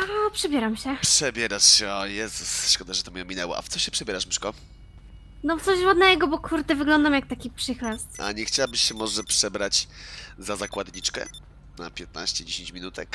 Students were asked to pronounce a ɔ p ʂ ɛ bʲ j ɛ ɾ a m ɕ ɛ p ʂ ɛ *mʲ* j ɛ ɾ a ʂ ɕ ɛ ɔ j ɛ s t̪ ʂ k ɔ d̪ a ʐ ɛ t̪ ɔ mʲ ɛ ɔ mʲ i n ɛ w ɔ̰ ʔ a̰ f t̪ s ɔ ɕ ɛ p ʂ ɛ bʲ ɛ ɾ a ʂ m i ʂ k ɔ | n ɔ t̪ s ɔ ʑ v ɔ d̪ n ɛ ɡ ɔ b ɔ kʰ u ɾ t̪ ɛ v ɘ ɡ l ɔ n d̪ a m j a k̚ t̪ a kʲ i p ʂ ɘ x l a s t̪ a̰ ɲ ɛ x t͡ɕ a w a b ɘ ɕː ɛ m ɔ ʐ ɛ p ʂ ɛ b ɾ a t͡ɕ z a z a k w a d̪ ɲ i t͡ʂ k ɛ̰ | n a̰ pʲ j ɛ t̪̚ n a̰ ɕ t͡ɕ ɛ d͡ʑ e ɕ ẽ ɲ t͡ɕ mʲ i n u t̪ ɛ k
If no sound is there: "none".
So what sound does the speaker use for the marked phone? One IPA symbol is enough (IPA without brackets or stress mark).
bʲ